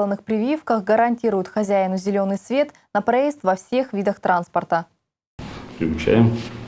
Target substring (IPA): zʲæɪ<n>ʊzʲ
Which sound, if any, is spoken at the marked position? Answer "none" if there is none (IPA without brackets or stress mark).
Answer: n